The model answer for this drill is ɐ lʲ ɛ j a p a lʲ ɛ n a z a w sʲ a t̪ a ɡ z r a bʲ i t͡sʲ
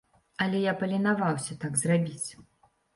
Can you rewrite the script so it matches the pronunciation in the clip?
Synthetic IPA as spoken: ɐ lʲ ɛ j a p ɐ lʲ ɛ n a v a w sʲ ɐ t̪ a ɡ z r a bʲ i t͡sʲ